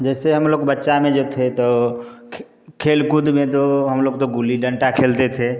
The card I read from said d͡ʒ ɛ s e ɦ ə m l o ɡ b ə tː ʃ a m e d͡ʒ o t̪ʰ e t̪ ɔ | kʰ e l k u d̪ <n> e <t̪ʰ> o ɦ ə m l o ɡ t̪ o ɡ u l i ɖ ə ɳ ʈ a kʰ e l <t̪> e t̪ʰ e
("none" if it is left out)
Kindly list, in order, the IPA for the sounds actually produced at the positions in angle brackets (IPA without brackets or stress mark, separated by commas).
m, t̪, t̪